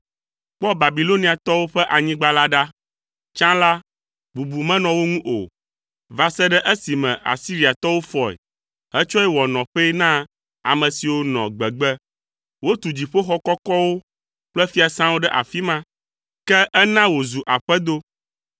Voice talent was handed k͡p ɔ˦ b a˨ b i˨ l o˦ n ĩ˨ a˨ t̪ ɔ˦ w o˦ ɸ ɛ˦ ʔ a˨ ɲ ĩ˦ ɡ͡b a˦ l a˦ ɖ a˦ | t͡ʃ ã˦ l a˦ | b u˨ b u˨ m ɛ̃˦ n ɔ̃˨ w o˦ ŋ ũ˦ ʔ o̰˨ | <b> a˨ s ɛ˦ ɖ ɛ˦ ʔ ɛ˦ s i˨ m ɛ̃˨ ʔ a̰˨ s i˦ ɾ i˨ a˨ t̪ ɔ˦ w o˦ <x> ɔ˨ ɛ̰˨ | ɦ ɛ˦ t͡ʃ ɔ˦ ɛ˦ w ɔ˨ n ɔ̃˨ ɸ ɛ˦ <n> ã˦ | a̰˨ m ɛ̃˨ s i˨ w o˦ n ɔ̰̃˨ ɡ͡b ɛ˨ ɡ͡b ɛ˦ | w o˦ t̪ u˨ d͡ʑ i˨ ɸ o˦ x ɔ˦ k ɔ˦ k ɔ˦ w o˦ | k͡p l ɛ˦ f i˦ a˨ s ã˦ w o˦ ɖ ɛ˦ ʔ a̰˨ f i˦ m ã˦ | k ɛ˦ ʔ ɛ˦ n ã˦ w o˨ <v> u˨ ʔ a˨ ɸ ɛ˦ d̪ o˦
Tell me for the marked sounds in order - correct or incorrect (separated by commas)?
incorrect, incorrect, correct, incorrect